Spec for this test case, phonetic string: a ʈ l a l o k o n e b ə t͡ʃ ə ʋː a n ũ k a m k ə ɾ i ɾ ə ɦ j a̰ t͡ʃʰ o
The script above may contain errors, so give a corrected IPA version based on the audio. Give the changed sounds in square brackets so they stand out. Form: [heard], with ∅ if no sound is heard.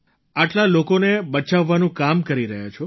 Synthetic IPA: a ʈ l a l o k o n e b ə t͡ʃ [a] ʋː a n ũ k a m k ə ɾ i ɾ ə ɦ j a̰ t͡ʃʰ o